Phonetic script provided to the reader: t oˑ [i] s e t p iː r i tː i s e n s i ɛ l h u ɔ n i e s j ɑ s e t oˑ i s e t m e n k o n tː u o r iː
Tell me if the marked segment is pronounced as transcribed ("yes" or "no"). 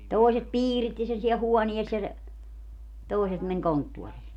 yes